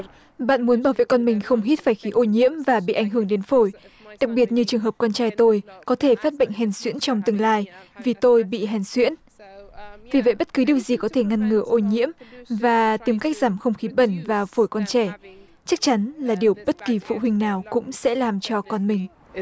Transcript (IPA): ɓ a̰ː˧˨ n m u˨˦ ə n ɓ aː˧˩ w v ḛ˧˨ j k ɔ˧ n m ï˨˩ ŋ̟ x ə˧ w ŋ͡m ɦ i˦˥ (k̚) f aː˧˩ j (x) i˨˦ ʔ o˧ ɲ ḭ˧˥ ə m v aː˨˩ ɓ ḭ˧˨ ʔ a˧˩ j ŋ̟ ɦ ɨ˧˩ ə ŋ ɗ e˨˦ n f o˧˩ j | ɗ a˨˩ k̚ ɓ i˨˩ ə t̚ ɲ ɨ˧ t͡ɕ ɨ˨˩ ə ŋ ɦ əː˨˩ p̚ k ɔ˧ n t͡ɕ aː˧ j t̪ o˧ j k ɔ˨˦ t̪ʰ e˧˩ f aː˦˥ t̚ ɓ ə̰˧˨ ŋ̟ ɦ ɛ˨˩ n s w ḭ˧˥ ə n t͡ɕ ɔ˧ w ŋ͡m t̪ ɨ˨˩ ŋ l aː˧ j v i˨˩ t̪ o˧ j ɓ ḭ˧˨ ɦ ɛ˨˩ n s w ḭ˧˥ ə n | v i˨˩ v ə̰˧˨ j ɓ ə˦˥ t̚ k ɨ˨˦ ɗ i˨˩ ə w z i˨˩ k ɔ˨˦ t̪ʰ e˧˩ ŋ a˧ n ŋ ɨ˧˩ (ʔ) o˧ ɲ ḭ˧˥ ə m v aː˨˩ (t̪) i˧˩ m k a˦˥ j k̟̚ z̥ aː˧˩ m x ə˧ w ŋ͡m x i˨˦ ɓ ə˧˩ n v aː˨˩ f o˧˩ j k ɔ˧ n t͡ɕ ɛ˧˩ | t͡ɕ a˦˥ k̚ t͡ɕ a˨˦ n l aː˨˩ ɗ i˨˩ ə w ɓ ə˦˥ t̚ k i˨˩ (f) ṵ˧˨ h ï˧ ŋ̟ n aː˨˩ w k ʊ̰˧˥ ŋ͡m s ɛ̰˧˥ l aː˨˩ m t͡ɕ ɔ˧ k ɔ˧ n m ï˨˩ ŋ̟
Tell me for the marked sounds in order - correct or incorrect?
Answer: incorrect, correct, correct, correct, correct

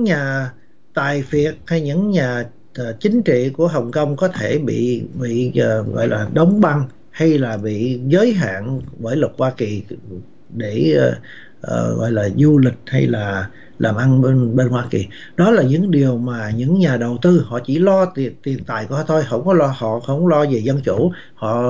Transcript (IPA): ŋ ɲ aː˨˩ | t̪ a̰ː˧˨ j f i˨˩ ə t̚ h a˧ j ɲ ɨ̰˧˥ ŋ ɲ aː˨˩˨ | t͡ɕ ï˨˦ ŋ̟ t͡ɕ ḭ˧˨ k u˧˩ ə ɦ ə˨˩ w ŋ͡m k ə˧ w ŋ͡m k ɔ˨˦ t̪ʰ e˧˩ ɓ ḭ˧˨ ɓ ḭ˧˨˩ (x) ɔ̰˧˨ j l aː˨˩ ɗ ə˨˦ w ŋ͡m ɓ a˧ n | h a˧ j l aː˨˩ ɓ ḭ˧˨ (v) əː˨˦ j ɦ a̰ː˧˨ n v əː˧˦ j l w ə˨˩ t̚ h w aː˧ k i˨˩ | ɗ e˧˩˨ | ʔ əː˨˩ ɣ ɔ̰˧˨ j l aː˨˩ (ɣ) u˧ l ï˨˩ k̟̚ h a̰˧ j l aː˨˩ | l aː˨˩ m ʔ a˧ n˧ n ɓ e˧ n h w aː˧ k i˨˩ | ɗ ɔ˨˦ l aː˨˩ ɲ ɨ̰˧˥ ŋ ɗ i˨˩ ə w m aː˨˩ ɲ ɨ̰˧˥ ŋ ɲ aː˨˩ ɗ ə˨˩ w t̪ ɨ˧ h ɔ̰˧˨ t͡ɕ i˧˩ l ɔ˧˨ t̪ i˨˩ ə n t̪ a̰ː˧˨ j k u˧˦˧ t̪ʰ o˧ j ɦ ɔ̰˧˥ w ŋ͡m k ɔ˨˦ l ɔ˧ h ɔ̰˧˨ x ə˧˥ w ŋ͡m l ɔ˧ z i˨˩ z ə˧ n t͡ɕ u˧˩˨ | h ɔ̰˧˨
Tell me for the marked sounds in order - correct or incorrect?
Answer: incorrect, incorrect, incorrect

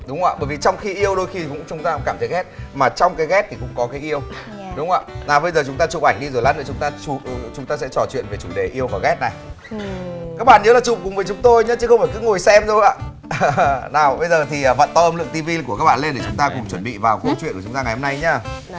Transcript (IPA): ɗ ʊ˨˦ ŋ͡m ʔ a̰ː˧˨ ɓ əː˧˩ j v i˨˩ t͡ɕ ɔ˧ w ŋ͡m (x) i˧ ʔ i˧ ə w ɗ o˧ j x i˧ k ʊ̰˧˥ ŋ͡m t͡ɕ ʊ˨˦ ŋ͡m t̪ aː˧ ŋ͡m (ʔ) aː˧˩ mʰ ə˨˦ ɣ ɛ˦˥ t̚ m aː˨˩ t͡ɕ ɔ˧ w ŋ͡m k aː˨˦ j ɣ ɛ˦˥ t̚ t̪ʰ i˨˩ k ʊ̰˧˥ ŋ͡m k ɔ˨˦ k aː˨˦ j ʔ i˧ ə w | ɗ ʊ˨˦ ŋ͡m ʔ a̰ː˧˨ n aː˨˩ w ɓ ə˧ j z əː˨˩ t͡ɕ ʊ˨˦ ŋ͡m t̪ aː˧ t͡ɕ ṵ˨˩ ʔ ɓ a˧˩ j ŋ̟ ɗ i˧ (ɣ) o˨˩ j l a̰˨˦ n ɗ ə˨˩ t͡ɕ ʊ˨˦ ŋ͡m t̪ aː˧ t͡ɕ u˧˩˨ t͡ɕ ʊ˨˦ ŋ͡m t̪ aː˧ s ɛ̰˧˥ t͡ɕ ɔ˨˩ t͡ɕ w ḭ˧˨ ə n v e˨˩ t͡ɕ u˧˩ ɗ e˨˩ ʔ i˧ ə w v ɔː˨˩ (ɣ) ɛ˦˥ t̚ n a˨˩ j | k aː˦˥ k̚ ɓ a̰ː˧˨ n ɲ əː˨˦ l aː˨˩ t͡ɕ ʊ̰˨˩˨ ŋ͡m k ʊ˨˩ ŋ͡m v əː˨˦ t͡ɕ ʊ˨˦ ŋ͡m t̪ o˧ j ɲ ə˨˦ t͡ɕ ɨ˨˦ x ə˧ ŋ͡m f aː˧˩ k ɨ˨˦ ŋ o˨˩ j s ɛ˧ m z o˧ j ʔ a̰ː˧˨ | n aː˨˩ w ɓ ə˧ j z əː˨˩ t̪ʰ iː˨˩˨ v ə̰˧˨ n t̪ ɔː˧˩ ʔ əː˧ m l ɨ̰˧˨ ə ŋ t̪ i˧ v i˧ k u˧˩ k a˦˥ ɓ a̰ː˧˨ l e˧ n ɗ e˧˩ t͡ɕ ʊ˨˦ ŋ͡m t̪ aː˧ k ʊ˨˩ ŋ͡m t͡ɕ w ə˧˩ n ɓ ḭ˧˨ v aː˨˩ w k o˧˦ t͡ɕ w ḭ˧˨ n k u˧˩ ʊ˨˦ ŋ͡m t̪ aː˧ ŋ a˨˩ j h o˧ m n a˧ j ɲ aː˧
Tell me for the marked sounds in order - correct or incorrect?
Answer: correct, incorrect, incorrect, correct

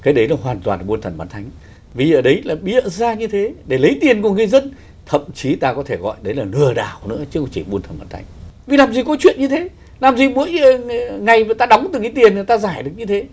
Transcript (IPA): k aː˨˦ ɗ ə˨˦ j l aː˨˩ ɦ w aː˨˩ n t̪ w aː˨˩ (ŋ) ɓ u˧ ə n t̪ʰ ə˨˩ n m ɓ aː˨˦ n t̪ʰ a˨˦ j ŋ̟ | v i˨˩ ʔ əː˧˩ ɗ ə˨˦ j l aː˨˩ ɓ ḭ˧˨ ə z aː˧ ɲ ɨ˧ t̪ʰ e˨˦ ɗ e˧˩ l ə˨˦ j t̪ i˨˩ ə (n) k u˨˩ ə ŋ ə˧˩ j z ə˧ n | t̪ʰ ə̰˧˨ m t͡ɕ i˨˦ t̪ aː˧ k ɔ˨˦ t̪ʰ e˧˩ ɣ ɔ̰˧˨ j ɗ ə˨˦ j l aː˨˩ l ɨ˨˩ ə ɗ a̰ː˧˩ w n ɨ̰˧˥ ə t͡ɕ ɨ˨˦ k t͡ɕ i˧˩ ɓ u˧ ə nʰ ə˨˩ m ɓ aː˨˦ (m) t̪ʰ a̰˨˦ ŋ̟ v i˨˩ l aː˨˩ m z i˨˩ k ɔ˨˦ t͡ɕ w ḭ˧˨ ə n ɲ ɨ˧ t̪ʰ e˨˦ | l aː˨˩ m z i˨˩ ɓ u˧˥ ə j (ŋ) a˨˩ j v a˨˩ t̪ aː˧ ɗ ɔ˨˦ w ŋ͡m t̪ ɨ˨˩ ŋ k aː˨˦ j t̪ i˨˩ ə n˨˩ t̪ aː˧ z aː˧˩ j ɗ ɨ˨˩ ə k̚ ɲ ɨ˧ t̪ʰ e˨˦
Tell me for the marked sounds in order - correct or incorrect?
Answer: incorrect, correct, incorrect, correct

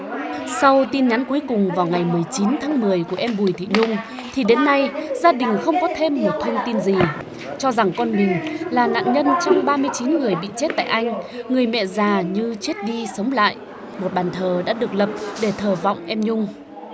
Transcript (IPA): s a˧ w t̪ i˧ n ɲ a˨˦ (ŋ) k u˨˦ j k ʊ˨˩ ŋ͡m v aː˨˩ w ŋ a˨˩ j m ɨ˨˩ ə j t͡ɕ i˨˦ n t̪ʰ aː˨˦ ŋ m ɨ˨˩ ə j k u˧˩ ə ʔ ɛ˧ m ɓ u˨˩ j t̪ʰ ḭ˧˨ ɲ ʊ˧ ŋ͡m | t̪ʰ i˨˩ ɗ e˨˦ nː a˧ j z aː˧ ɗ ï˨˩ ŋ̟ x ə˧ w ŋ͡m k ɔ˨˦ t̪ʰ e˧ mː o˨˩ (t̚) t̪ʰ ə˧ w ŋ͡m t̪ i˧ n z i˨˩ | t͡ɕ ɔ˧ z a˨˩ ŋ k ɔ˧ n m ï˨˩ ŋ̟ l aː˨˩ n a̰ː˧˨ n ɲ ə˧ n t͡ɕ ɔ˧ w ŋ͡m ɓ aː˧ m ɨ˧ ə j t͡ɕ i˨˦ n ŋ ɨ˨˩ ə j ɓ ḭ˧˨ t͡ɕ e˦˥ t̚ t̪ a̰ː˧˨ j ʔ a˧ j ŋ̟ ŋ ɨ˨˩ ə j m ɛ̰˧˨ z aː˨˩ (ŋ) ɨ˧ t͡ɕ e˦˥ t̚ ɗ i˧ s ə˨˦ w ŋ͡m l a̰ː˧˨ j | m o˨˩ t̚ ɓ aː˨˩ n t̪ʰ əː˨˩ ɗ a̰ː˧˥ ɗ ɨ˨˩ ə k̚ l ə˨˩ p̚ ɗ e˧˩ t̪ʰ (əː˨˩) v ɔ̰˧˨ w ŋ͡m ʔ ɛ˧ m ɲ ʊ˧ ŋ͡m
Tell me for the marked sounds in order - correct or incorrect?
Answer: incorrect, correct, incorrect, correct

